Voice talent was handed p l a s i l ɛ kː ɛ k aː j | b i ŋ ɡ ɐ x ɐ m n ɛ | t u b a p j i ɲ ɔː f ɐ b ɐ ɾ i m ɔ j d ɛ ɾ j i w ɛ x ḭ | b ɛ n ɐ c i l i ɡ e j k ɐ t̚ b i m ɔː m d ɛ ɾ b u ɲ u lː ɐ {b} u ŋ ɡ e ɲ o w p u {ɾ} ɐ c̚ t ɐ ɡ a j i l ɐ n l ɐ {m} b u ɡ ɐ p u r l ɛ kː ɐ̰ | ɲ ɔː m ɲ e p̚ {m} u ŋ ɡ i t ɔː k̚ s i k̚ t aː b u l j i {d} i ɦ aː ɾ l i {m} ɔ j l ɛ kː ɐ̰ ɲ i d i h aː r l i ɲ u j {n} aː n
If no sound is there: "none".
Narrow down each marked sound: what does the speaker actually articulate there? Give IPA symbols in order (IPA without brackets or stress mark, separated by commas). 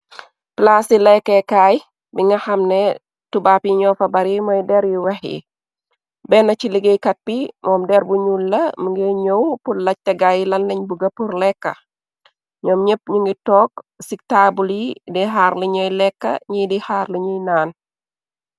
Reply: m, l, ɲ, ɲ, d, ɲ, n